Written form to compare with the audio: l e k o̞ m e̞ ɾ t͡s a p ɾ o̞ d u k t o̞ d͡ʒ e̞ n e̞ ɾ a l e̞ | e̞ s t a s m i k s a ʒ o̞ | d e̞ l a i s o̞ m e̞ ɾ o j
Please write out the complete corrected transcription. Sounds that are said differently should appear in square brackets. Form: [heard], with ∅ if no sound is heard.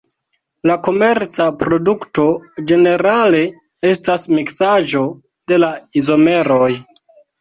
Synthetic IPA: l [a] k o̞ m e̞ ɾ t͡s a p ɾ o̞ d u k t o̞ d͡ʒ e̞ n e̞ ɾ a l e̞ | e̞ s t a s m i k s a ʒ o̞ | d e̞ l a i [z] o̞ m e̞ ɾ o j